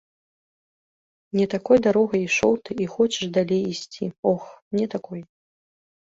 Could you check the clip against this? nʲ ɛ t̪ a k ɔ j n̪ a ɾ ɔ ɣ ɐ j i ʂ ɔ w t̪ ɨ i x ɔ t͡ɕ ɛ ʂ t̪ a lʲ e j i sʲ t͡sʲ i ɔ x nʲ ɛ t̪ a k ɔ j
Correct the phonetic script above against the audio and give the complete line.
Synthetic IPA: nʲ ɛ t̪ a k ɔ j d̪ a ɾ ɔ ɣ ɐ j i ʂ ɔ w t̪ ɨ i x ɔ t͡ɕ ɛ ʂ d̪ a lʲ e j i sʲ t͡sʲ i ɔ x nʲ ɛ t̪ a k ɔ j